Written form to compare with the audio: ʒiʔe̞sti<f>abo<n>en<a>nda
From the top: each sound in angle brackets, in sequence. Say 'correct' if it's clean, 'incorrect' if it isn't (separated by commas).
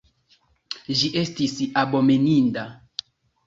incorrect, incorrect, incorrect